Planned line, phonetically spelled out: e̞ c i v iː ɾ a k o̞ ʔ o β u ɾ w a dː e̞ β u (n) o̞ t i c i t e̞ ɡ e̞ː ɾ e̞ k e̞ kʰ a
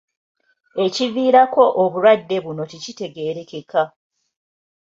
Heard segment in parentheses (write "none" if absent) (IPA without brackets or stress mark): n